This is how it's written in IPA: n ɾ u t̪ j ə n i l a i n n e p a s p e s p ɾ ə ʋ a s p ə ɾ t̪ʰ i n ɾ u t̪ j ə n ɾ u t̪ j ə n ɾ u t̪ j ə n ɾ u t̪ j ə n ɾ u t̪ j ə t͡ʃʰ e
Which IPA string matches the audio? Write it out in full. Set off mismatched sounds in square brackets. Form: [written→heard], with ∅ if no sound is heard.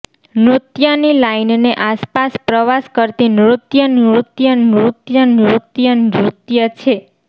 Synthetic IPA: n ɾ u t̪ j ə n i l a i n n e [p→ʔ] a s p [e→a] s p ɾ ə ʋ a s [p→k] ə ɾ [t̪ʰ→t̪] i n ɾ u t̪ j ə n ɾ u t̪ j ə n ɾ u t̪ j ə n ɾ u t̪ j ə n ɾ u t̪ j ə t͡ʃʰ e